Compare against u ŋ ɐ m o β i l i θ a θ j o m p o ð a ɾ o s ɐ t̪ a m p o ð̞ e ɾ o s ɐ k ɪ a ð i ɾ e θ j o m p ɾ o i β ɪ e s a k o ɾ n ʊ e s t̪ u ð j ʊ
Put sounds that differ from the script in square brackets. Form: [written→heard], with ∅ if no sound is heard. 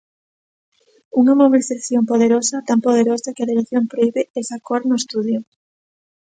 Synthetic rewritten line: u ŋ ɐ m o β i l i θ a θ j o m p o ð [a→e] ɾ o s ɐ t̪ a m p o ð̞ e ɾ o s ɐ k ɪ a ð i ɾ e θ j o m p ɾ o i β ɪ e s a k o ɾ n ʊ e s t̪ u ð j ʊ